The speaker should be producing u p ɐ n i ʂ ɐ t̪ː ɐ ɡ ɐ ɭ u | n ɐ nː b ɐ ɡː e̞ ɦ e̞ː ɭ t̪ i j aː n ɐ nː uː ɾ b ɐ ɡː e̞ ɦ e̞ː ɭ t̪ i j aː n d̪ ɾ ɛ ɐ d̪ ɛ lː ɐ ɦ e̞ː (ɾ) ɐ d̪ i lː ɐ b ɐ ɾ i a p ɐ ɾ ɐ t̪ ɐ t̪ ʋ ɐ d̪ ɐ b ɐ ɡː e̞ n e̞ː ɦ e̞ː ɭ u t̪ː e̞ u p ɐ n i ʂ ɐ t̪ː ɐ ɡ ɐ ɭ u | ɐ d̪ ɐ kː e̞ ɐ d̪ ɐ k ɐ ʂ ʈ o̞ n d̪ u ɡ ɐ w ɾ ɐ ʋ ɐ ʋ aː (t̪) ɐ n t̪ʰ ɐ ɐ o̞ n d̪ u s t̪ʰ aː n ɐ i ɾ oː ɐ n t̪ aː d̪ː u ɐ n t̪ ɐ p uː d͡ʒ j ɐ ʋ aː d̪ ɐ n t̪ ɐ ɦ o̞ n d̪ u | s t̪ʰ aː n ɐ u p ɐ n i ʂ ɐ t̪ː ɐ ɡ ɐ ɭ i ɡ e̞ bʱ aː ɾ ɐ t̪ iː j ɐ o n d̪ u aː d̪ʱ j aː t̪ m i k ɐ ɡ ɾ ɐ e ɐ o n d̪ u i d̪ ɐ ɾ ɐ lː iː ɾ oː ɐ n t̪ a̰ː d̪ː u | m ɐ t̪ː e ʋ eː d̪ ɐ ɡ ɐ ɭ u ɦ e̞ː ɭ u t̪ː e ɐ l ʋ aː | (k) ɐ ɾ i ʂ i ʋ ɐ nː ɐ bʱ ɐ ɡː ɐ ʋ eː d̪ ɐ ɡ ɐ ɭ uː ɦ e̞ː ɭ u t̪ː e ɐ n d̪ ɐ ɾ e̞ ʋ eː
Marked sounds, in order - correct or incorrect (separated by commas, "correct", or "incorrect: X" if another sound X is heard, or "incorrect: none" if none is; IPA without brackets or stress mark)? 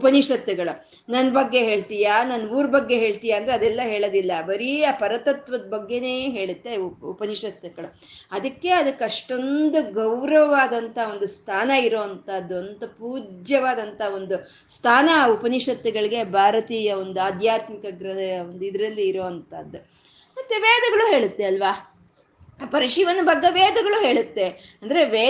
incorrect: ɭ, incorrect: d̪, incorrect: p